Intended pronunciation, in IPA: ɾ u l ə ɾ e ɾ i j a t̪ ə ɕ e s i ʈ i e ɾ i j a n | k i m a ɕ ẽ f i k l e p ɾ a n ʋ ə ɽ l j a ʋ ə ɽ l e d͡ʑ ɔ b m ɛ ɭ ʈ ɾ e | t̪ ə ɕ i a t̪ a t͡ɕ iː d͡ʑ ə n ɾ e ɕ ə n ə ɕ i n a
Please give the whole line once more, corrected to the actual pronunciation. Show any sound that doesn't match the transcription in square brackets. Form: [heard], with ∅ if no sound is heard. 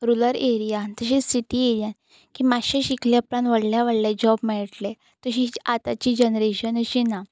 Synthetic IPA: ɾ u l ə ɾ e ɾ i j a t̪ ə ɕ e s i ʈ i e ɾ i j a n | k i m a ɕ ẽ [ɕ] i k l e p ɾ a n ʋ ə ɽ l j a ʋ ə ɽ l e d͡ʑ ɔ b m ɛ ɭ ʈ [l] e | t̪ ə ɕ i a t̪ a t͡ɕ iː d͡ʑ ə n ɾ e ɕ ə n ə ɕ i n a